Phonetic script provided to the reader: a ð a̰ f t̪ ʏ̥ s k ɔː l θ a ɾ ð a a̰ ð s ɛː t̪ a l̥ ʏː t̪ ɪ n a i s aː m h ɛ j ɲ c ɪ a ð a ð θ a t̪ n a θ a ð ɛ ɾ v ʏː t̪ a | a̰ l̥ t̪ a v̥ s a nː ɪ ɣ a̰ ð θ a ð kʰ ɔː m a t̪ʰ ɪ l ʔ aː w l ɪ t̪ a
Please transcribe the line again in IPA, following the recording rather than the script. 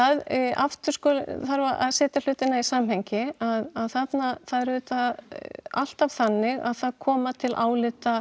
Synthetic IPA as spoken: a ð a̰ f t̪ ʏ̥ s k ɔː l θ a ɾ v a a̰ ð s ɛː t̪ a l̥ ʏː t̪ ɪ n a i s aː m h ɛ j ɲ c ɪ a ð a ð θ a t̪ n a θ a ð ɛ ɾ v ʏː t̪ a | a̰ l̥ t̪ a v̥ θ a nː ɪ ɣ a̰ ð θ a ð kʰ ɔː m a t̪ʰ ɪ l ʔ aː w l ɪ t̪ a